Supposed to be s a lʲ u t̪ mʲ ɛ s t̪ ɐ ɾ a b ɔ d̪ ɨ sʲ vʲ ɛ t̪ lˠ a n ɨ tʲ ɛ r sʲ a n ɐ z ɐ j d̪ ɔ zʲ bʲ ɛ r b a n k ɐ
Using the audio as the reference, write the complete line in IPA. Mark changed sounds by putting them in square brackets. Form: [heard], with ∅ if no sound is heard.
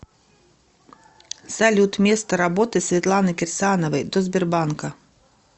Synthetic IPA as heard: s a lʲ u t̪ mʲ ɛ s t̪ ɐ ɾ a b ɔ [t̪] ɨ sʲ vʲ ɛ t̪ lˠ a n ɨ [kʲ] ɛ r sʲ a n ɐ [v] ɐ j d̪ ɔ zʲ bʲ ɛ r b a n k ɐ

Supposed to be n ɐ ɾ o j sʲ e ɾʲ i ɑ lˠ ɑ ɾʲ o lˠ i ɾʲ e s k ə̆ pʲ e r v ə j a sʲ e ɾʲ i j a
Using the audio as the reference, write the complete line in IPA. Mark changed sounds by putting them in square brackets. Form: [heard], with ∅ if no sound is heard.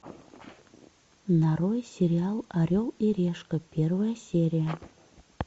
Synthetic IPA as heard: n [ɑ] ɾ o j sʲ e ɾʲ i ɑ lˠ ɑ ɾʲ o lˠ i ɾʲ e [ʃ] k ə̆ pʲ e r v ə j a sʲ e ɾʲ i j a

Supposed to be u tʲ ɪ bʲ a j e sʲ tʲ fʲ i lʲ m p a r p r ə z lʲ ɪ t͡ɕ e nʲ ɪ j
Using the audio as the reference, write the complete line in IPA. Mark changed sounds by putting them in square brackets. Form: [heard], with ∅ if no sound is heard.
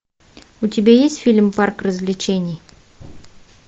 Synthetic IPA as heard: u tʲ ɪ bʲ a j e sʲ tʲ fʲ i lʲ m p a r [k] r ə z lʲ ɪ t͡ɕ e nʲ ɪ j

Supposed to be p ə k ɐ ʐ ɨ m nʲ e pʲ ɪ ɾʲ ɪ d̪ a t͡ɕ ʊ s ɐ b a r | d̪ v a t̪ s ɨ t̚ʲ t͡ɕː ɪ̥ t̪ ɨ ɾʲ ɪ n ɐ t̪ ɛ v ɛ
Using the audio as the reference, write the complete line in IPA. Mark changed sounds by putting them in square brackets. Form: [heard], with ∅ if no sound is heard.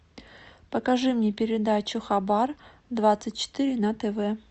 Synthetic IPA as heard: p ə k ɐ ʐ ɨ m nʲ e pʲ ɪ ɾʲ ɪ d̪ a t͡ɕ ʊ [x] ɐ b a r | d̪ v a t̪ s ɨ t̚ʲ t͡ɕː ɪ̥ t̪ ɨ ɾʲ ɪ n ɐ t̪ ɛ v ɛ

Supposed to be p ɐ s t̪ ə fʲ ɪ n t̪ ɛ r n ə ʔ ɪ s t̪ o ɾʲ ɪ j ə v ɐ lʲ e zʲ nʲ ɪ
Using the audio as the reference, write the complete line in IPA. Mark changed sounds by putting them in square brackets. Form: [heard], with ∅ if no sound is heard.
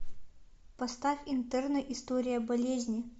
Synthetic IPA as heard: p ɐ s t̪ [a] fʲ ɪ n t̪ ɛ r n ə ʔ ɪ s t̪ o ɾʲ ɪ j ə [b] ɐ lʲ e zʲ nʲ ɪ

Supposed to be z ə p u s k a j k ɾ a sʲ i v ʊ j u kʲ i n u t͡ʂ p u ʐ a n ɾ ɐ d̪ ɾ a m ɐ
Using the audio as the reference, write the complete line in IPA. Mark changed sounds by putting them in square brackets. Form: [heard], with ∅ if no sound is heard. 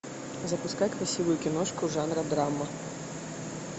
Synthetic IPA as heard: z [ɐ] p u s k a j k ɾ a sʲ i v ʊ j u kʲ i n [ɔ] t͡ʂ [k] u ʐ a n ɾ ɐ d̪ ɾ a m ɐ

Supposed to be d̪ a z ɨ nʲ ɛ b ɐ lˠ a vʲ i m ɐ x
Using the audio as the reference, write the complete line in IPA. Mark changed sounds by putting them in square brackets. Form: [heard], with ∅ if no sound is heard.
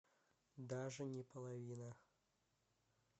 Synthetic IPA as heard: d̪ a [ʐ] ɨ nʲ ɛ [p] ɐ lˠ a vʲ i [n] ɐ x

